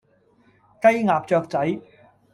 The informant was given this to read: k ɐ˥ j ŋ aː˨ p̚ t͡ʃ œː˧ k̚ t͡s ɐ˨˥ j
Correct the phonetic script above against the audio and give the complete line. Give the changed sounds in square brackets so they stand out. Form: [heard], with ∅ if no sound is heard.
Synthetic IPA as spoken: k ɐ˥ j ŋ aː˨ p̚ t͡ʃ œː˧ k̚ t͡s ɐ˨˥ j